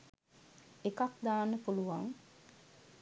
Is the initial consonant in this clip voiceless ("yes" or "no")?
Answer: yes